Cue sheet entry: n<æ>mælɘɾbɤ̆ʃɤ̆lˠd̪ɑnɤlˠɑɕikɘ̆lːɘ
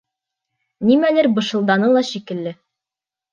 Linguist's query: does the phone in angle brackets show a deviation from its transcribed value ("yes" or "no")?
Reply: yes